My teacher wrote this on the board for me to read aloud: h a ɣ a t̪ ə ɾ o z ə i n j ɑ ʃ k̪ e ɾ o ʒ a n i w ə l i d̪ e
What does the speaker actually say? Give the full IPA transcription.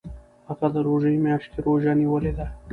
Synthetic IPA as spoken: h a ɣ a d̪ ə ɾ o ʒ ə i m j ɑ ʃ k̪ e ɾ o ʒ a n i w ə l e d̪ a